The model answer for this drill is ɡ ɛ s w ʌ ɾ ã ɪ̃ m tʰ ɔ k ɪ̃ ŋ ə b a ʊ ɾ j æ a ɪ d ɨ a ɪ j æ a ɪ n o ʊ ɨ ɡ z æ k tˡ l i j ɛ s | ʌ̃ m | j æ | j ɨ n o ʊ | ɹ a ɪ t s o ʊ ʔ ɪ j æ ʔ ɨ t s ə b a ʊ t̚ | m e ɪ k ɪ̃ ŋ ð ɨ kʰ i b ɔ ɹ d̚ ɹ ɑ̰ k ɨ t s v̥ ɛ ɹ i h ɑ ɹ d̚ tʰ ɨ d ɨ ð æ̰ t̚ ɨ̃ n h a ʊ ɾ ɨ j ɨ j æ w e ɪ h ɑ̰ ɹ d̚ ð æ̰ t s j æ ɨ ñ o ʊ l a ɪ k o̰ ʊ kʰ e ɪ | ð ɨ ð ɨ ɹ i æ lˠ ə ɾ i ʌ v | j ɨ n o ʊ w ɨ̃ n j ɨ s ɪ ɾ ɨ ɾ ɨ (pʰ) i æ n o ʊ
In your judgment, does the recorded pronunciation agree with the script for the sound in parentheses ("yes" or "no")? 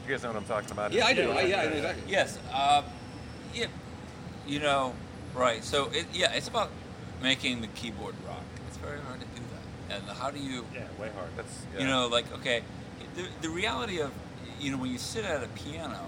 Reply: yes